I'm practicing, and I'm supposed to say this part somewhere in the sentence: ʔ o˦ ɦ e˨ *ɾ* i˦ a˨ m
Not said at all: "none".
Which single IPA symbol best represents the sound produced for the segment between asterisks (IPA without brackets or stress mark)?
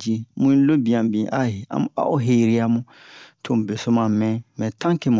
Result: ɾ